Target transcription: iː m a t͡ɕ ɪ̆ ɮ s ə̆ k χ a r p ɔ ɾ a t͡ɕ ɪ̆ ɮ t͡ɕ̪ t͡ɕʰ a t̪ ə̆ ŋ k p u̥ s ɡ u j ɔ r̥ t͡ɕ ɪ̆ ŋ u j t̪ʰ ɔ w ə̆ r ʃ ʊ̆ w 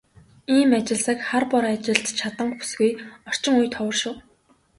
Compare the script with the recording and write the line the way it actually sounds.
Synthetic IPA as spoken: iː m a t͡ɕ ɪ̆ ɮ s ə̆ k χ a r p ɔ ɾ a t͡ɕ ɪ̆ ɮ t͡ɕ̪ t͡ɕʰ a t̪ ə̆ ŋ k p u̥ s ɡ u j ɔ r̥ t͡ɕ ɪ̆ ŋ u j t̪ʰ ɔ w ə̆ r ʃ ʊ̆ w